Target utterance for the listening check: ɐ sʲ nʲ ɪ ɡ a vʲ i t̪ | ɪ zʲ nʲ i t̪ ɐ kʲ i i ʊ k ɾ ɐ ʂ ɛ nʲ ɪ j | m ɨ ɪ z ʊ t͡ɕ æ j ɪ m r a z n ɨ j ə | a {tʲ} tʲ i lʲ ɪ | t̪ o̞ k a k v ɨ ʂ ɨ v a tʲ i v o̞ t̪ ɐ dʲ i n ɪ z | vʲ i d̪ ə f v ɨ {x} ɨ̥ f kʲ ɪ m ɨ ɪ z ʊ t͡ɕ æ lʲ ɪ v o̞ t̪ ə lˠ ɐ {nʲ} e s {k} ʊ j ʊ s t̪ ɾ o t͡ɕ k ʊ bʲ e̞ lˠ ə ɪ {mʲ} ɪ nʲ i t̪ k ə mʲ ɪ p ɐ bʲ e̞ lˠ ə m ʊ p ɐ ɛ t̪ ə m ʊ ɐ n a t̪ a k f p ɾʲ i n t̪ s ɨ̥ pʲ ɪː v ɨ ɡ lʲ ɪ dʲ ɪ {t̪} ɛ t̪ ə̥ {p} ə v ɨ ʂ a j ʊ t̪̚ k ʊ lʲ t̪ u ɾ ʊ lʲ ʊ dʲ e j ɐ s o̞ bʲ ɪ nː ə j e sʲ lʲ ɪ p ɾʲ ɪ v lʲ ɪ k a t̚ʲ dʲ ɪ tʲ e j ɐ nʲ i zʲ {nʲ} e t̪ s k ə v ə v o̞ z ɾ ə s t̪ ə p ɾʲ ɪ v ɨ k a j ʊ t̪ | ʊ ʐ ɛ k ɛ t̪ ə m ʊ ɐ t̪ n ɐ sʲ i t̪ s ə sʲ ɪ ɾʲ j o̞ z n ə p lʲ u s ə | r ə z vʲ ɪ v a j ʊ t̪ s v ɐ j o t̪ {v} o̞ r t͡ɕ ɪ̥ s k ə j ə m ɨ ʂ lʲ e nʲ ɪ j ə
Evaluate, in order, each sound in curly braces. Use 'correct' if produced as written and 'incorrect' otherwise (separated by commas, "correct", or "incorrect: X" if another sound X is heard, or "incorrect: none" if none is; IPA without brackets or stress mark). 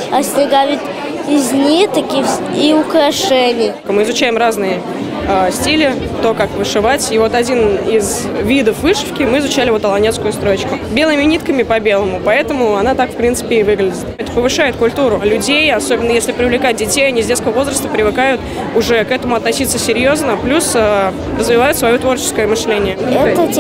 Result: incorrect: sʲ, incorrect: ʂ, correct, correct, correct, correct, correct, incorrect: dʲ, correct